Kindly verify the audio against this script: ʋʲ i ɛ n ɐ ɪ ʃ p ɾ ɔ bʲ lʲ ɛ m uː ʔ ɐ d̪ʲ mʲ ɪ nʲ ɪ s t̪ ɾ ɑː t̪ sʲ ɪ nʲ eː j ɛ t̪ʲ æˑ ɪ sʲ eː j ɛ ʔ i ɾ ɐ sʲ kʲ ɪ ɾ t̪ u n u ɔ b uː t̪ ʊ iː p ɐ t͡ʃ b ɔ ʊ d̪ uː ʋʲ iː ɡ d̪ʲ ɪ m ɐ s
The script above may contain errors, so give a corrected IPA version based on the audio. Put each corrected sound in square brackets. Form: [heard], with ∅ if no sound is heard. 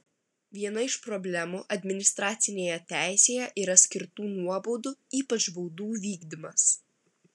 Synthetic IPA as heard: ʋʲ i ɛ n ɐ ɪ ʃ p ɾ ɔ bʲ lʲ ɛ m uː ʔ ɐ d̪ʲ mʲ ɪ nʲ ɪ s t̪ ɾ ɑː t̪ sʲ ɪ nʲ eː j ɛ t̪ʲ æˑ ɪ sʲ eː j ɛ ʔ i ɾ ɐ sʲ kʲ ɪ ɾ t̪ [uː] n u ɔ b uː [d̪] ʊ iː p ɐ t͡ʃ b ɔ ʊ d̪ uː ʋʲ iː ɡ d̪ʲ ɪ m ɐ s